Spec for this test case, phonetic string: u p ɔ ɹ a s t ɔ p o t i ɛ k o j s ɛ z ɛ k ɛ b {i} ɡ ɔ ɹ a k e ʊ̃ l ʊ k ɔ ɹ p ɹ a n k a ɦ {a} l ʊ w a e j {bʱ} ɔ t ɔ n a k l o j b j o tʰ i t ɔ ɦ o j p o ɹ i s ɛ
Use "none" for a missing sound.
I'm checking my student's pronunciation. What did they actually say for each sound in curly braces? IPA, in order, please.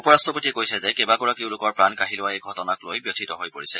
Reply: a, i, ɡʱ

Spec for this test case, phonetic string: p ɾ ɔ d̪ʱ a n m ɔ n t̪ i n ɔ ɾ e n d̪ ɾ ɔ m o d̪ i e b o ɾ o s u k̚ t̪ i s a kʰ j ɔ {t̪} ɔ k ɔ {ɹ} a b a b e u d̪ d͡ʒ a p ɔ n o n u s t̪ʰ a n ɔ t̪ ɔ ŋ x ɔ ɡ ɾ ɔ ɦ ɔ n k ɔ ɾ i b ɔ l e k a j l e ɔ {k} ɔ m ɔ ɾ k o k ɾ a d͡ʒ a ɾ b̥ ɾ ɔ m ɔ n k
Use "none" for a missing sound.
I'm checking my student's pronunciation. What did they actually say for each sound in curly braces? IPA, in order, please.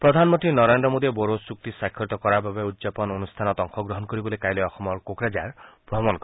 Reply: t̪, ɾ, x

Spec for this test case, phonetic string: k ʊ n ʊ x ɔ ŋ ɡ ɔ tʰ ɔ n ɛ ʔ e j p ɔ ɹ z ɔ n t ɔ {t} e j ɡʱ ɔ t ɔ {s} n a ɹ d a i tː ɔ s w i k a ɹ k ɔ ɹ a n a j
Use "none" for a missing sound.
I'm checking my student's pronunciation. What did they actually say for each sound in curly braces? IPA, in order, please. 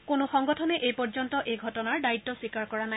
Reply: ʔ, none

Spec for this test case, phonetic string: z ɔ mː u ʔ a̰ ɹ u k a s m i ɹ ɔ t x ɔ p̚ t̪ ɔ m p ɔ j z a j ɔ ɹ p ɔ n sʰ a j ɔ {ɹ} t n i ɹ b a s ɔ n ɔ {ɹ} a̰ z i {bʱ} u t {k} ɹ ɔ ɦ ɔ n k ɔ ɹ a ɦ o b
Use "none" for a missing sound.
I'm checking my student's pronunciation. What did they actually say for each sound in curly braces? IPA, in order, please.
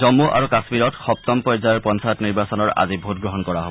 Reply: none, ɹ, bʱ, ɡ

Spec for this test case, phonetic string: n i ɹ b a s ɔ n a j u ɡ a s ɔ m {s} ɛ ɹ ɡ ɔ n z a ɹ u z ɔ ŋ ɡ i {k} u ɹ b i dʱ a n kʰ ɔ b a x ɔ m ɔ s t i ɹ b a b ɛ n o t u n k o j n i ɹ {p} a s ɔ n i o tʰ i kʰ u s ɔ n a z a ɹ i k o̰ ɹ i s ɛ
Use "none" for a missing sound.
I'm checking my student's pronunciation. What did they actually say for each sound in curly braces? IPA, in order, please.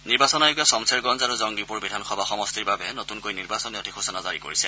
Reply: s, p, b

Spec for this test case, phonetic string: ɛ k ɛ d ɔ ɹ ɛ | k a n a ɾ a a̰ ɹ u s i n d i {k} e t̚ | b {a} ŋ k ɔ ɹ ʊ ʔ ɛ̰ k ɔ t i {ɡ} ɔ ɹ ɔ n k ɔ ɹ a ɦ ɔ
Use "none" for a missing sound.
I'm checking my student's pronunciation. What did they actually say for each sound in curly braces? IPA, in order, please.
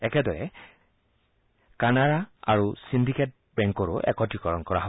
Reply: k, ɛ, k

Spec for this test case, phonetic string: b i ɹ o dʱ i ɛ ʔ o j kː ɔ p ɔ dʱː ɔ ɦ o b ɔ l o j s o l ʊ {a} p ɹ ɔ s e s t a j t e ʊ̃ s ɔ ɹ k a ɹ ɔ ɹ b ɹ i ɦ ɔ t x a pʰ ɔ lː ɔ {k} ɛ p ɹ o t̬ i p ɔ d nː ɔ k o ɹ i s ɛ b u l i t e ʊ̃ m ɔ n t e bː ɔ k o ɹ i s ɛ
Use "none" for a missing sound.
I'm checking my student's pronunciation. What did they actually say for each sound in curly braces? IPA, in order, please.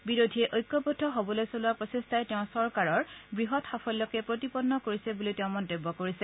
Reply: a, k

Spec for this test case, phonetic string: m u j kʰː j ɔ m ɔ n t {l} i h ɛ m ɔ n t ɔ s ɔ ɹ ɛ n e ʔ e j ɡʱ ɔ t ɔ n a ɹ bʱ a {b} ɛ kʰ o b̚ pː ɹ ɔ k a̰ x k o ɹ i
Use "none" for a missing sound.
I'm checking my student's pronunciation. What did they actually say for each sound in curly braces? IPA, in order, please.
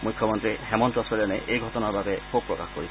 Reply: ɹ, b

